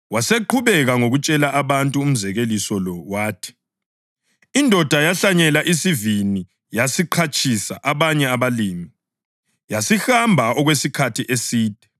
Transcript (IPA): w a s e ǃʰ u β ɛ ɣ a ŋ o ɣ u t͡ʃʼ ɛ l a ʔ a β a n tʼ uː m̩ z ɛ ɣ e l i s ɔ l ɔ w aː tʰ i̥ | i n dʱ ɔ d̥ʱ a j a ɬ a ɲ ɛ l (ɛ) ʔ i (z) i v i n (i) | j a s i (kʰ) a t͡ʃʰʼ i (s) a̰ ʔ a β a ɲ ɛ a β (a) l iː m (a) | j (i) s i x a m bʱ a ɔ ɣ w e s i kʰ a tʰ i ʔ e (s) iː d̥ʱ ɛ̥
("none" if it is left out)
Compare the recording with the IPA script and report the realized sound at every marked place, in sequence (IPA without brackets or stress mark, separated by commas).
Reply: a, s, i, ǃʰ, s, a, i, a, s